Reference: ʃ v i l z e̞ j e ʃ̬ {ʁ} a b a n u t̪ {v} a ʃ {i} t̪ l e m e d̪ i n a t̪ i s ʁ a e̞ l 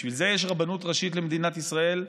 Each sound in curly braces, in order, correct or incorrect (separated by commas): correct, incorrect, correct